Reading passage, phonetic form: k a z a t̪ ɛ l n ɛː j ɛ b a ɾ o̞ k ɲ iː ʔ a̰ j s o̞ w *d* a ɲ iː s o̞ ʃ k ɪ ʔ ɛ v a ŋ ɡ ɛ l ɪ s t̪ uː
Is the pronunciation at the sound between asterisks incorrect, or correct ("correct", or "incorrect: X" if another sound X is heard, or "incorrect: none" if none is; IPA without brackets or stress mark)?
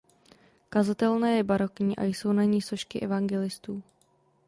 incorrect: n